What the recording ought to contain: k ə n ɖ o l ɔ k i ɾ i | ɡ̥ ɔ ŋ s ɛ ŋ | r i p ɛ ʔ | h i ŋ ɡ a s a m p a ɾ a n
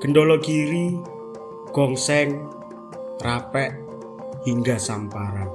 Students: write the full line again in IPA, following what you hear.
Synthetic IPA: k ə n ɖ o l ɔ k i ɾ i | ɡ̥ ɔ ŋ s ɛ ŋ | r a p ɛ ʔ | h i ŋ ɡ a s a m p a ɾ a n